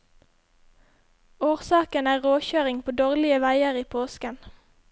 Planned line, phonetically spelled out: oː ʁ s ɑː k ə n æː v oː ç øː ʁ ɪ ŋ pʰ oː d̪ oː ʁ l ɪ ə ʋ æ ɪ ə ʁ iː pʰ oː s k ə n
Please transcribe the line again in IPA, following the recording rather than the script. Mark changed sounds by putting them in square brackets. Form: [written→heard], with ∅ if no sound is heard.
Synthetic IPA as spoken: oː ʁ s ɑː k ə n æː [v→ʁ] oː ç øː ʁ ɪ ŋ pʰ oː d̪ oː ʁ l ɪ ə ʋ æ ɪ ə ʁ iː pʰ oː s k ə n